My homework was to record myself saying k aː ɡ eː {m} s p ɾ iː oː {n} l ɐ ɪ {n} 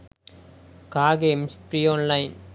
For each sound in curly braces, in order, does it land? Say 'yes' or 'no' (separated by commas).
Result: yes, yes, yes